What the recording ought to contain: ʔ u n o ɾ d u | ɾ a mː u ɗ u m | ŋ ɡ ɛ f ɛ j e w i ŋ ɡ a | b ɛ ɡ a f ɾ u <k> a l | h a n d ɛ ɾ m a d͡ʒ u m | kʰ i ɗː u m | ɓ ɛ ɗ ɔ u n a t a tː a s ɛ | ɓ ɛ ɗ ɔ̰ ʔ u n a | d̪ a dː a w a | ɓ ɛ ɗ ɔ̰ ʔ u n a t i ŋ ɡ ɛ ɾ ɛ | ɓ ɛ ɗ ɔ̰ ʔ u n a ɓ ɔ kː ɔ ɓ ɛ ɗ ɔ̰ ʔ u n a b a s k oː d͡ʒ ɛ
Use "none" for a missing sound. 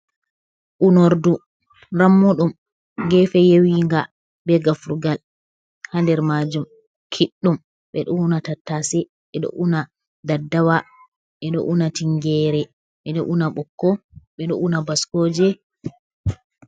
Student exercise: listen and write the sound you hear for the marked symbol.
ɡ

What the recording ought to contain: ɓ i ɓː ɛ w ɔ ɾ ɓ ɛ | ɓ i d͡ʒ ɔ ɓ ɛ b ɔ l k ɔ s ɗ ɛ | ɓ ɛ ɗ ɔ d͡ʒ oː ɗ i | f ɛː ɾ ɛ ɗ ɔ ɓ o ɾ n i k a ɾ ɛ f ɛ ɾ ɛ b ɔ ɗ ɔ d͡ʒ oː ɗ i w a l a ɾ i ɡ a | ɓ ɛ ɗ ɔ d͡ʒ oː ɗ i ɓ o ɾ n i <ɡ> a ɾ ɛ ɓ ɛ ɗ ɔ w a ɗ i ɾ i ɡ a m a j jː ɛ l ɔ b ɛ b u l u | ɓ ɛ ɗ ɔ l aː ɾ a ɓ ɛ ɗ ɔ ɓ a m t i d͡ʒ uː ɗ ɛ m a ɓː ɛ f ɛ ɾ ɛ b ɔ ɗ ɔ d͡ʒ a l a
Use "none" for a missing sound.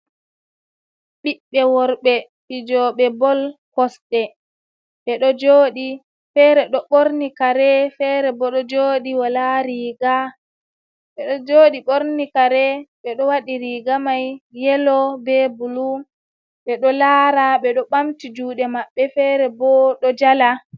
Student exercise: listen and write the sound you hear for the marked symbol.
k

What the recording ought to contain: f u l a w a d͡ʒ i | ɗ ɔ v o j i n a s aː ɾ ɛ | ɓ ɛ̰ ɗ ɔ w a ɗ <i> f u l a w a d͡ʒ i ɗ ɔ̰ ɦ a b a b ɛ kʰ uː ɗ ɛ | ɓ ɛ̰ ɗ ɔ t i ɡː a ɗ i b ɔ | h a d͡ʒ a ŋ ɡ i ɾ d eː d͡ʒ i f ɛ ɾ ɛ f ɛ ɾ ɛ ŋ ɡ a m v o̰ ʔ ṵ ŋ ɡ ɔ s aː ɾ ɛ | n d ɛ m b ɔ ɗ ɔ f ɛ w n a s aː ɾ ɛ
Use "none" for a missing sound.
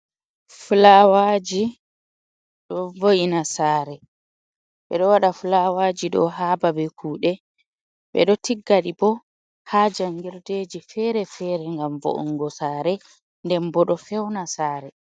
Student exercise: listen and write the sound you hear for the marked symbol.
a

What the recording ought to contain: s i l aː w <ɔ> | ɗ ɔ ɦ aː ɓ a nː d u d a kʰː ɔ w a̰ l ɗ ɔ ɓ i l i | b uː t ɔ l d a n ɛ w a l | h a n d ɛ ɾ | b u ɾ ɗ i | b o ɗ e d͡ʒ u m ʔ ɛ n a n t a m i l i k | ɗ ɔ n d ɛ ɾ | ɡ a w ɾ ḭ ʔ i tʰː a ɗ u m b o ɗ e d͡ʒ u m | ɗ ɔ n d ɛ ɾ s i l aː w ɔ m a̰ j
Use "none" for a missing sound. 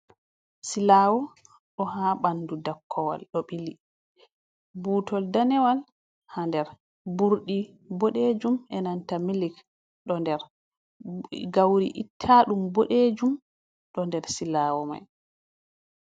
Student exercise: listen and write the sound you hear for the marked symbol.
ɔ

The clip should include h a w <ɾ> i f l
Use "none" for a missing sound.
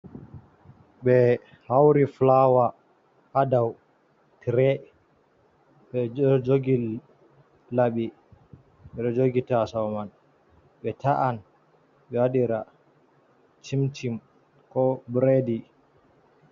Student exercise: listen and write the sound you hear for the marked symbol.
ɾ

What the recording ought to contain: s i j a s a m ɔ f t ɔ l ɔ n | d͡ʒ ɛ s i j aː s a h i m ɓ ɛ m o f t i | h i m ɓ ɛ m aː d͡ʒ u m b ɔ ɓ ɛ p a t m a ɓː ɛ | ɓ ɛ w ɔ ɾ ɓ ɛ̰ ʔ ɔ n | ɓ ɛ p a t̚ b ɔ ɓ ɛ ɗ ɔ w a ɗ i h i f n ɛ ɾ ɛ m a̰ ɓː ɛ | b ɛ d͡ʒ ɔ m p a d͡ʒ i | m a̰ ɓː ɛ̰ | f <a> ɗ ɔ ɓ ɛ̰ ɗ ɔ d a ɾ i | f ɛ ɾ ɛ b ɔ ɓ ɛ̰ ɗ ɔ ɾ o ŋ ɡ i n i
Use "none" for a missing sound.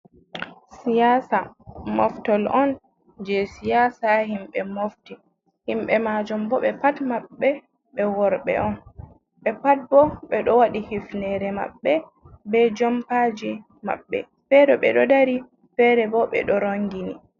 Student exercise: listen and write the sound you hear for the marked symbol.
ɛ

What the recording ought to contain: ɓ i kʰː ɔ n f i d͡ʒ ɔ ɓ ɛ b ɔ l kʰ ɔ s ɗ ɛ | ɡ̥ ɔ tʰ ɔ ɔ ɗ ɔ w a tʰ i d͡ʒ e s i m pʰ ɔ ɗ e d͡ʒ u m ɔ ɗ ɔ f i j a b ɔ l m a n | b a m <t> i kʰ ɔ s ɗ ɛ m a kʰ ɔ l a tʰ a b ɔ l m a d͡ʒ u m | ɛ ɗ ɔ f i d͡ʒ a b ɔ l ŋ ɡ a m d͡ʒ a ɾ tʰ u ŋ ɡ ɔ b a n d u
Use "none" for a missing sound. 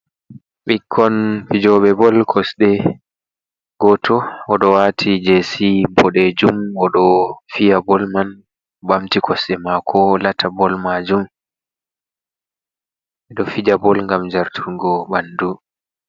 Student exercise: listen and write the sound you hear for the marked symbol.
t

